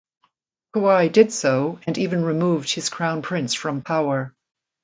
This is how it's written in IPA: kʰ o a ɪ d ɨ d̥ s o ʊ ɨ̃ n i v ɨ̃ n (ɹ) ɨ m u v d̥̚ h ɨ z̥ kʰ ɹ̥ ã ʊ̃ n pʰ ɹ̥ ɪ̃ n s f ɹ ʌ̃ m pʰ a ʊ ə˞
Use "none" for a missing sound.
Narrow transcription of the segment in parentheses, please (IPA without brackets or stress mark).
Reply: ɹ